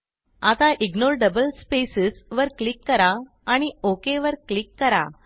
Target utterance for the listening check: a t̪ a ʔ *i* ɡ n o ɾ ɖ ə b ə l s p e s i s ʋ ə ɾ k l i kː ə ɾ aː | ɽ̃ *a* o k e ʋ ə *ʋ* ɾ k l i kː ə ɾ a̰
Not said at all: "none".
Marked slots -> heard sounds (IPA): i, i, none

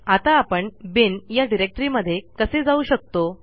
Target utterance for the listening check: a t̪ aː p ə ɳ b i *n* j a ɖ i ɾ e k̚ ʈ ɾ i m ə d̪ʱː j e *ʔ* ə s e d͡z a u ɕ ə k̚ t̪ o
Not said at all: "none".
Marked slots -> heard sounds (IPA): n, k

